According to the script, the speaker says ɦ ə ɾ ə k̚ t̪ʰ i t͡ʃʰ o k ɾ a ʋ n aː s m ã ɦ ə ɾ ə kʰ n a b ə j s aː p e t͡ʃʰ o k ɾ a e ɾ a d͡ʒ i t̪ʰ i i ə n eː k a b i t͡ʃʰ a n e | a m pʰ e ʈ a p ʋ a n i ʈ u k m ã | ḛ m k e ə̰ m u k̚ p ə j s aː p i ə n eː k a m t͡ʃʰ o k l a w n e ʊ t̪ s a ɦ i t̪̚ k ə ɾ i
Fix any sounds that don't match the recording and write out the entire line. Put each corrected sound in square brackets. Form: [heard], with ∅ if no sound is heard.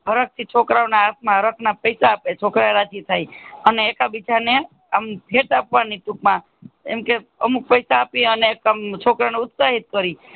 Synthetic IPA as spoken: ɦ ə ɾ ə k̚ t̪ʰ i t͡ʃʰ o k ɾ a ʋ n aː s m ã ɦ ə ɾ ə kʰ n a [p] ə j s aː p e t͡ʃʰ o k ɾ a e ɾ a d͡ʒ i t̪ʰ [a] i ə n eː k a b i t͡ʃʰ a n e | a m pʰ e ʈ a p ʋ a n i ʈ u k m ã | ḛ m k e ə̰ m u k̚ p ə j s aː p i ə n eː k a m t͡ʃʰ o k [ɾ] a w n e ʊ t̪ s a ɦ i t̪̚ k ə ɾ i